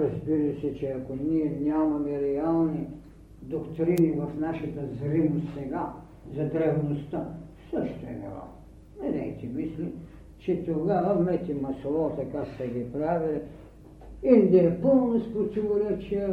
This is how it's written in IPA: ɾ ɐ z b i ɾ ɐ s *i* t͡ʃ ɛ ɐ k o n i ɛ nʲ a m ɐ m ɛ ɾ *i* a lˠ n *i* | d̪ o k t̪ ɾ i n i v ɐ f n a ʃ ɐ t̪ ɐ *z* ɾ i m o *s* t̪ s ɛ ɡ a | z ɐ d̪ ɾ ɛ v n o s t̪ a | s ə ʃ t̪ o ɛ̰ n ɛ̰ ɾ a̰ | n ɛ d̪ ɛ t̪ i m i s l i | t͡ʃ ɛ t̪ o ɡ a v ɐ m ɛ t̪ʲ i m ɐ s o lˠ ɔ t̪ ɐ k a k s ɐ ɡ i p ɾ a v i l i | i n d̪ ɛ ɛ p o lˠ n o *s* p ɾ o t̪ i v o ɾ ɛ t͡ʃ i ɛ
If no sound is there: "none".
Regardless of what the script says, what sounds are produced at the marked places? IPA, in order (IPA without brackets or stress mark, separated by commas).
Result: ɛ, ɛ, i, z, s, s